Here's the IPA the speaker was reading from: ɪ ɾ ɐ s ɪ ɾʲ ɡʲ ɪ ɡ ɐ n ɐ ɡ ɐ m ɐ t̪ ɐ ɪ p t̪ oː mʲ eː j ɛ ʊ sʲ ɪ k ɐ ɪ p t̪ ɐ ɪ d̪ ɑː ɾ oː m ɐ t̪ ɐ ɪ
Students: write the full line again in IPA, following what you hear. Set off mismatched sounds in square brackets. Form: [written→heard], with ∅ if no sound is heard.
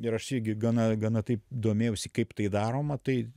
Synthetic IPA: ɪ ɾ ɐ [s→ʃ] ɪ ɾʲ ɡʲ ɪ ɡ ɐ n ɐ ɡ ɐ [m→n] ɐ t̪ ɐ ɪ p [t̪→d̪] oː mʲ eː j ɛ ʊ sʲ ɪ k ɐ ɪ p t̪ ɐ ɪ d̪ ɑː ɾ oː m ɐ t̪ ɐ ɪ